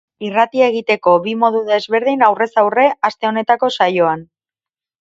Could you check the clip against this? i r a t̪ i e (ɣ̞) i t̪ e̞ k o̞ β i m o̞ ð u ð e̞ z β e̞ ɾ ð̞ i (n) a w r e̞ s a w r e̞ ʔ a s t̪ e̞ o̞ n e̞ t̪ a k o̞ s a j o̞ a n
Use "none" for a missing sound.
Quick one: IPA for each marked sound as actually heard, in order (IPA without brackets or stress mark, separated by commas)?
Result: ɣ̞, n